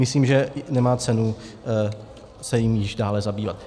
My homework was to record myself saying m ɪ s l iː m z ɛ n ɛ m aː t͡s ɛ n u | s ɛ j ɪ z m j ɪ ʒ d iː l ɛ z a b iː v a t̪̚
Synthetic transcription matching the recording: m ɪ s l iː m ʒ ɛ n ɛ m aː t͡s ɛ n u | s ɛ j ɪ m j ɪ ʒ d aː l ɛ z a b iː v a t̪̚